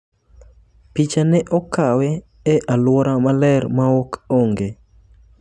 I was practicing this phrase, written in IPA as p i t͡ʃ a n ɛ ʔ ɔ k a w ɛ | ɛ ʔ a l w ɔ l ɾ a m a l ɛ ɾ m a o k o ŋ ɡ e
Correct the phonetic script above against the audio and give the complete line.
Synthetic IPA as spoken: p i t͡ʃ a n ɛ ʔ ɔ k a w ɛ | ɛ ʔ a l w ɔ ɾ a m a l ɛ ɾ m a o k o ŋ ɡ e